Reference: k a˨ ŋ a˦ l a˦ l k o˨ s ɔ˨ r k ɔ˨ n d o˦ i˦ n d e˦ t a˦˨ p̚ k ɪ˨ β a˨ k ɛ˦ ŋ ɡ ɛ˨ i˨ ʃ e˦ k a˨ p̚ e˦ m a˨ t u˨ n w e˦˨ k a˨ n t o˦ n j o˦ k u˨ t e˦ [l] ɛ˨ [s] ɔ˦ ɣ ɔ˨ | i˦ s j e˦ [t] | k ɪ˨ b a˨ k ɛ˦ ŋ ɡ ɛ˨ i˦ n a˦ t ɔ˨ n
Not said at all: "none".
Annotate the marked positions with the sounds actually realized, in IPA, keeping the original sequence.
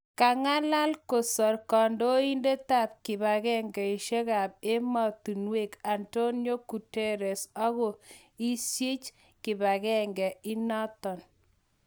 ɾ, s, t͡ʃ

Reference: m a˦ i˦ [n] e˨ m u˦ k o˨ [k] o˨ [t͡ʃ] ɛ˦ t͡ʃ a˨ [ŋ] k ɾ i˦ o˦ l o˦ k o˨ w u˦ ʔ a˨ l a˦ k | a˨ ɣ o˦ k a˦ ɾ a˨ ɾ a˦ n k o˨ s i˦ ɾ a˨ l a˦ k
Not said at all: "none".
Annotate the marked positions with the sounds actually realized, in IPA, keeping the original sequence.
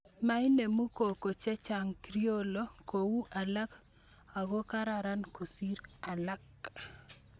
n, k, t͡ʃ, ŋ

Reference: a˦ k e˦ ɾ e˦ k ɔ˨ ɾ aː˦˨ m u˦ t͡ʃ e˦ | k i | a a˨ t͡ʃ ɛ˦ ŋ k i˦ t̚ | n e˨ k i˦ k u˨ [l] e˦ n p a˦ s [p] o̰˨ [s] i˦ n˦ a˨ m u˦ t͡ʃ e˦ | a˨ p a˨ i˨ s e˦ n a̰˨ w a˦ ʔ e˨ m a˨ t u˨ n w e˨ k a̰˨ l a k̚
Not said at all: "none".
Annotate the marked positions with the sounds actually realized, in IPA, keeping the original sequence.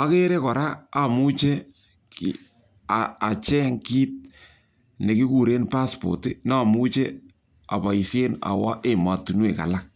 ɾ, p, t

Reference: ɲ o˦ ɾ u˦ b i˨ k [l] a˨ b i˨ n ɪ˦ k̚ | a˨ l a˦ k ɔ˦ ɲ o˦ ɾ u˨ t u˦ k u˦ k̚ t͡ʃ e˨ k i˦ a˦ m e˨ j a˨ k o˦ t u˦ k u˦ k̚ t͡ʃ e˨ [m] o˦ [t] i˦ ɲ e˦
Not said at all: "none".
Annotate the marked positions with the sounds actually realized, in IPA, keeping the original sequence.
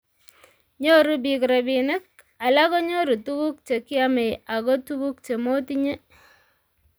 ɾ, m, t

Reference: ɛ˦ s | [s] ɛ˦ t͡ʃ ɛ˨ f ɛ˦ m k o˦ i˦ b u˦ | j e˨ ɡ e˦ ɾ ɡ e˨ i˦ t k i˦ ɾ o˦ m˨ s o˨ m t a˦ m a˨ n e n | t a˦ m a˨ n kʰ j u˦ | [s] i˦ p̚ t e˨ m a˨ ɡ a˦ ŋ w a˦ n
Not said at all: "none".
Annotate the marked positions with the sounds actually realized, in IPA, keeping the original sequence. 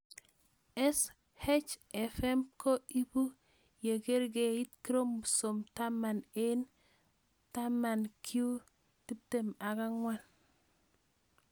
h, t

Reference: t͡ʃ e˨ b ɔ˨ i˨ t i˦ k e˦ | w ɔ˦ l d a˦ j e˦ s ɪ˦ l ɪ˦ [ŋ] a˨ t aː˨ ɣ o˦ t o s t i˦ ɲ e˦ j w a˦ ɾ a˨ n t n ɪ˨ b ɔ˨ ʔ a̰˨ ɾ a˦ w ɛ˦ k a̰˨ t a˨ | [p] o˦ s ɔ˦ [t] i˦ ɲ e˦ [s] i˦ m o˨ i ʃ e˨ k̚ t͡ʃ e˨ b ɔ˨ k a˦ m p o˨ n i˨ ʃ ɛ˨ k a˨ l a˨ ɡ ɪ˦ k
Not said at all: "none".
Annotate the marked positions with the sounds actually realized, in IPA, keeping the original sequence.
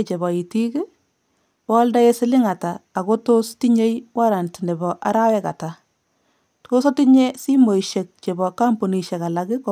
ŋ, t, t, s

